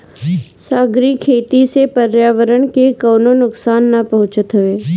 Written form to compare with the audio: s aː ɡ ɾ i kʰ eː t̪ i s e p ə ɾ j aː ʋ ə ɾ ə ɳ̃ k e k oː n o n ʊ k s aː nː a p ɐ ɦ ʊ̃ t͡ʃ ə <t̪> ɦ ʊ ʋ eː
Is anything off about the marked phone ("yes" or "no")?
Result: no